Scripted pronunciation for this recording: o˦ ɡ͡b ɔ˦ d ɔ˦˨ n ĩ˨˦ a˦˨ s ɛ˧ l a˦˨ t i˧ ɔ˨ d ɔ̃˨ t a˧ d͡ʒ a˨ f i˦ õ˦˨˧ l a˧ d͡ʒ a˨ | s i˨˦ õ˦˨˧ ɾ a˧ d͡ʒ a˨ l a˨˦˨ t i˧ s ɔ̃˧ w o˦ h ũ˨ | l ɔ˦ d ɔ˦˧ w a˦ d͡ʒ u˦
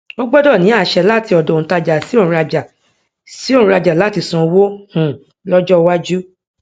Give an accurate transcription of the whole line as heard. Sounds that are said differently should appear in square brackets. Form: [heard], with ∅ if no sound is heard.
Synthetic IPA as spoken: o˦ ɡ͡b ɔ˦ d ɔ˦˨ n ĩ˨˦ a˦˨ [ʃ] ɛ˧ l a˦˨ t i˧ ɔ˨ d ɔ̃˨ t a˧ d͡ʒ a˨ [s] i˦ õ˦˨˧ [ɾ] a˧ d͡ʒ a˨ | s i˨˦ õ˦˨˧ ɾ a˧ d͡ʒ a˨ l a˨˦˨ t i˧ s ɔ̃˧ w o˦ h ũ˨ | l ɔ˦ [d͡ʒ] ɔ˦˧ w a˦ d͡ʒ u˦